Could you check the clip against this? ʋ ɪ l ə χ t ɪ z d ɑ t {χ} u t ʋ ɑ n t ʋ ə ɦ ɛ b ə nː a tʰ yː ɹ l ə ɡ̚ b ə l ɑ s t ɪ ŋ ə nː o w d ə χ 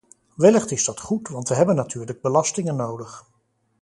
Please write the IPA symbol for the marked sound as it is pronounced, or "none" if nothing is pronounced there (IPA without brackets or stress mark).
χ